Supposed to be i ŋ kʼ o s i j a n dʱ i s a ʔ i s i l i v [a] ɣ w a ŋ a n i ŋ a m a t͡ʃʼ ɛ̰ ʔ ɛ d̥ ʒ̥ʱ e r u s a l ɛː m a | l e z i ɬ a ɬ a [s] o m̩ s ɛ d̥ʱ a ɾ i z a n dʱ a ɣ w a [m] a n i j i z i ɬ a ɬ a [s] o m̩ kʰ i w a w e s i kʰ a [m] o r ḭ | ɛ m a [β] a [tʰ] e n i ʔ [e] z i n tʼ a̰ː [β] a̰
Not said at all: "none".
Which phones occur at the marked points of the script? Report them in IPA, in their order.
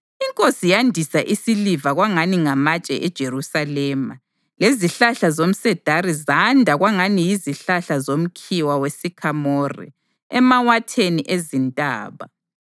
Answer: a, z, ŋ, z, m, w, tʰ, e, β

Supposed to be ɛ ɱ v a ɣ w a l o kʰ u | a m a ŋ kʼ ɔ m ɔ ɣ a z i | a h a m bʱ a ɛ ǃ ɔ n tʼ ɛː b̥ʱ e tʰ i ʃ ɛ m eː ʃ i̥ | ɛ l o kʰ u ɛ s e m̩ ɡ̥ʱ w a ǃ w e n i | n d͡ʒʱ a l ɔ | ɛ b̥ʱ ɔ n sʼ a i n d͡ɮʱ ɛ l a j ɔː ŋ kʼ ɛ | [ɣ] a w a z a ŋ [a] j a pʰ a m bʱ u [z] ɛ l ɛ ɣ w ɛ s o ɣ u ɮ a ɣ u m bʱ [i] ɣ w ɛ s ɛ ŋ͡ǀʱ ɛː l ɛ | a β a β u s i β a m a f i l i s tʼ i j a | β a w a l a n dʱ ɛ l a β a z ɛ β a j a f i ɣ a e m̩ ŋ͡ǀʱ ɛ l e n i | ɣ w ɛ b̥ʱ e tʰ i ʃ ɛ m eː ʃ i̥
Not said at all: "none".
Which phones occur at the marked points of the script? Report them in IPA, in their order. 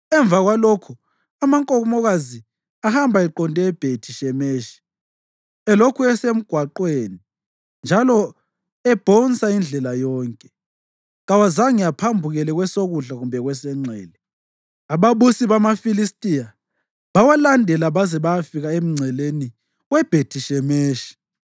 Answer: ɣ, i, ɣ, ɛ

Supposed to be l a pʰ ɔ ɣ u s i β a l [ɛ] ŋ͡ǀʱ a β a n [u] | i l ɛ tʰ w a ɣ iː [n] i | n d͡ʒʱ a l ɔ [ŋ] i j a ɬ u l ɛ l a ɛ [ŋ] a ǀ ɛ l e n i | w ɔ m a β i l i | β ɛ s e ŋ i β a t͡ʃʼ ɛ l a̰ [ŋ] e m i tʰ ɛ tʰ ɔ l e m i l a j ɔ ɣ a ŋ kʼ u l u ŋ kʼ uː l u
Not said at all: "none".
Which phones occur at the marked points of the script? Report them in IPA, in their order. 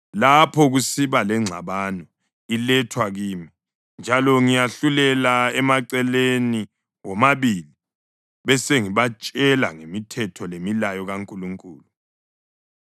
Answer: ɛ, ɔ, m, ŋ, m, ŋ

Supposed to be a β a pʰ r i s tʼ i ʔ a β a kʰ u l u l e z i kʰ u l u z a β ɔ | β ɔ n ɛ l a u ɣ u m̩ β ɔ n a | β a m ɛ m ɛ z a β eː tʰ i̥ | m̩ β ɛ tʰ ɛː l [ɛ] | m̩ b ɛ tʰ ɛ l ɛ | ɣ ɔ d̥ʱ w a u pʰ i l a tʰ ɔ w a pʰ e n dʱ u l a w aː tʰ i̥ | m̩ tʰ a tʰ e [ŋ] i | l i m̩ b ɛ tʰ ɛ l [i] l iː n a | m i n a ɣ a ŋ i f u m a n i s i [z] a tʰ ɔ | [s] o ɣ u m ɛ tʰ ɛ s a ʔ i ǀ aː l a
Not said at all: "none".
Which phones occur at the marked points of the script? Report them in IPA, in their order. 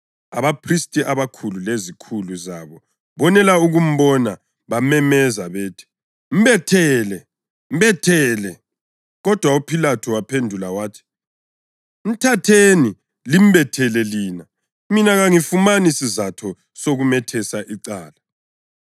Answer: ɛ, n, ɛ, z, s

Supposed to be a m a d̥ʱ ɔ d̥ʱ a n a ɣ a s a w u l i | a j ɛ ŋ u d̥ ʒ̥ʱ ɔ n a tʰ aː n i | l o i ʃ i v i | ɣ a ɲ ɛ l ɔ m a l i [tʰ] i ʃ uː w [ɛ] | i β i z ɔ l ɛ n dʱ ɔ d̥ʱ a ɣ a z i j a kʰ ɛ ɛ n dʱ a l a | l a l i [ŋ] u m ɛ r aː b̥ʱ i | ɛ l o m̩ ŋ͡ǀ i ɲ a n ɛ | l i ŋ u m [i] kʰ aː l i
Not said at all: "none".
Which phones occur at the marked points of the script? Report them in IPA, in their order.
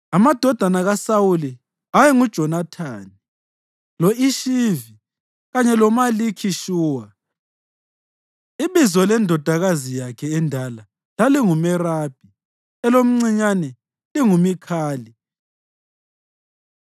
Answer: kʰ, a, ŋ, i

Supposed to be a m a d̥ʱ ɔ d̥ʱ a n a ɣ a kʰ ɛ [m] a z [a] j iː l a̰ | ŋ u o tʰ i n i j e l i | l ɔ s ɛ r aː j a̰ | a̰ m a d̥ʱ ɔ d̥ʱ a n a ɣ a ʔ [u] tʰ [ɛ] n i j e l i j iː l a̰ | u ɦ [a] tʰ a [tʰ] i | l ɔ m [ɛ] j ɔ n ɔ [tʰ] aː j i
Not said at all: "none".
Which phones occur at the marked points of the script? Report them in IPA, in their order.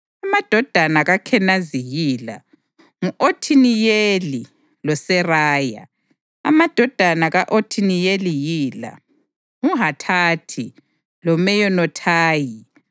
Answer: n, i, o, i, a, tʰ, ɛ, tʰ

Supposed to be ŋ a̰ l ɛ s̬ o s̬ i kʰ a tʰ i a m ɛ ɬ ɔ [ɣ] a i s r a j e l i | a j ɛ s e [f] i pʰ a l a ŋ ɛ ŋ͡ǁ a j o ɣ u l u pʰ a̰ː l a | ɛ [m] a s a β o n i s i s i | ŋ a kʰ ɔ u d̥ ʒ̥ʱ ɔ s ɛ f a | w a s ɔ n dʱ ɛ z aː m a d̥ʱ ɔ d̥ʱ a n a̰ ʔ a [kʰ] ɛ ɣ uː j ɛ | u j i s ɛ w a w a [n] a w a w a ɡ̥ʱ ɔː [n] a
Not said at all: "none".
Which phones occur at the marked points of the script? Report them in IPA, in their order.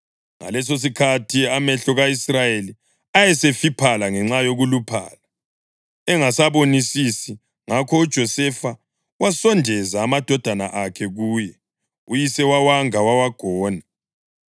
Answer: ɣ, f, ŋ, kʰ, ŋ, n

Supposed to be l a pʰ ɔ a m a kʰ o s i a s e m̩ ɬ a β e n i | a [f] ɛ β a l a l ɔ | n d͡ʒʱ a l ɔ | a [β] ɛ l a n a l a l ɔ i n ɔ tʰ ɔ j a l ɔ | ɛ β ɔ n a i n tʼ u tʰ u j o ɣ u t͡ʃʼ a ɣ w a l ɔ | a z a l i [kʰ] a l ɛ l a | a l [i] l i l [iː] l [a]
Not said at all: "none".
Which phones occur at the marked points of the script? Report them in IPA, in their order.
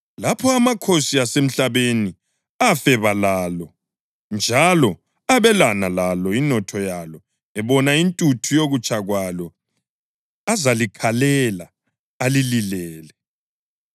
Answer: f, β, kʰ, i, ɛː, ɛ

